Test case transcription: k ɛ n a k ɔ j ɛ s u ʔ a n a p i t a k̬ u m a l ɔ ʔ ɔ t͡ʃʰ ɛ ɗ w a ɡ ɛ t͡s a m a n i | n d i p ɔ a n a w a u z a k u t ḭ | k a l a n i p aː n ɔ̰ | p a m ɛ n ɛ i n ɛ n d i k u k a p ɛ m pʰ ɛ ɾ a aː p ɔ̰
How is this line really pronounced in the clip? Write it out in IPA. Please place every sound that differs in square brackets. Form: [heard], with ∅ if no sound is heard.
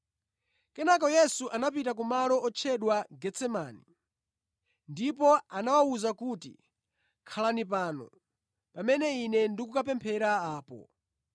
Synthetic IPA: k ɛ n a k ɔ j ɛ s u ʔ a n a p i t a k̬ u m a l ɔ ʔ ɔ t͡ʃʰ ɛ ɗ w a ɡ ɛ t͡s [ɛ] m a n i | n d i p ɔ a n a w a u z a k u t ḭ | [kʰ] a l a n i p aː n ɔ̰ | p a m ɛ n ɛ i n ɛ n d i k u k a p ɛ m pʰ ɛ ɾ a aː p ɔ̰

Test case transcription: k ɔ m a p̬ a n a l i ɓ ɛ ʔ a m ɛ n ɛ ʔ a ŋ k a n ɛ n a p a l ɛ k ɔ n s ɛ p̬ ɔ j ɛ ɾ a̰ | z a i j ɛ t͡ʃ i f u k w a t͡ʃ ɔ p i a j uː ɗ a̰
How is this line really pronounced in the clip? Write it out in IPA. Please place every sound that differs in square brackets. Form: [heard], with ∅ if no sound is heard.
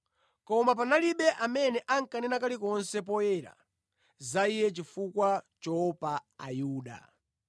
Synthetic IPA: k ɔ m a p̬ a n a l i ɓ ɛ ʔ a m ɛ n ɛ ʔ a ŋ k a n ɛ n a [k] a l [i] k ɔ n s ɛ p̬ ɔ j ɛ ɾ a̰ | z a i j ɛ t͡ʃ i f u k w a t͡ʃ ɔ p [a] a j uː ɗ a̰

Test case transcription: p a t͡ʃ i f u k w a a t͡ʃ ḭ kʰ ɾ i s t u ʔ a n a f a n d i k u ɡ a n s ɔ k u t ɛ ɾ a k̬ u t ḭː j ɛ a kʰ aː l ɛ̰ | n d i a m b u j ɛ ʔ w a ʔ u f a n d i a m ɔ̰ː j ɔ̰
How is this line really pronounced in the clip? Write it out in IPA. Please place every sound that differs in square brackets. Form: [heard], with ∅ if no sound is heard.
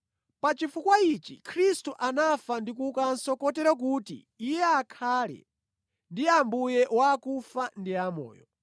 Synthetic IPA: p a t͡ʃ i f u k w a [i] t͡ʃ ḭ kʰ ɾ i s t u ʔ a n a f a n d i k u [k] a n s ɔ k [ɔ] t ɛ ɾ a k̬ u t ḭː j ɛ a kʰ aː l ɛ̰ | n d i a m b u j ɛ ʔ w a [k] u f a n d i a m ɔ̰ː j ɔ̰

